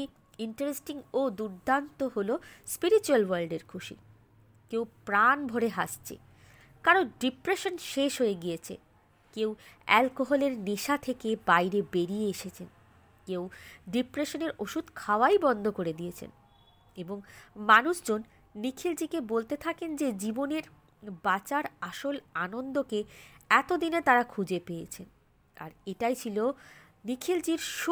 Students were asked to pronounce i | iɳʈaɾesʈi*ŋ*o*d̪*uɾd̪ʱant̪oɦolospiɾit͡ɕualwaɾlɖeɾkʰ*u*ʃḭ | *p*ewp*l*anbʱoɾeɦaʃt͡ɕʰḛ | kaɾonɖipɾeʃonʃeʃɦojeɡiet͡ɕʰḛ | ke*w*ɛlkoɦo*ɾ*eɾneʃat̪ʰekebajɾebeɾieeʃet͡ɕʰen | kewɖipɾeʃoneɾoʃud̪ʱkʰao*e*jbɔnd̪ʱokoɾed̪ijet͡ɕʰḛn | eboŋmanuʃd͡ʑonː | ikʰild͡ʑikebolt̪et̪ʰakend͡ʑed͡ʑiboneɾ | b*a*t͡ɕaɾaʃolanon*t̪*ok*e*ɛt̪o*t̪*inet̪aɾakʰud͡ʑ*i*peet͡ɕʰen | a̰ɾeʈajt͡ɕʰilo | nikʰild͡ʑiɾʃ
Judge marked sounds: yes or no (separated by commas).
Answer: yes, yes, yes, no, no, yes, no, no, yes, no, yes, no, no